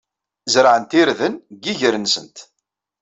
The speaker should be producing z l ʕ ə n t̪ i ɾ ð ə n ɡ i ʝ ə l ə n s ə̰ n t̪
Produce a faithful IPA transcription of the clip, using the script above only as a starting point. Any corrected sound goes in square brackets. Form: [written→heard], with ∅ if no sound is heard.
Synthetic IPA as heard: z [l→ɾ] ʕ ə n t̪ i ɾ ð ə n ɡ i ʝ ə [l→ɾ] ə n s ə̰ n t̪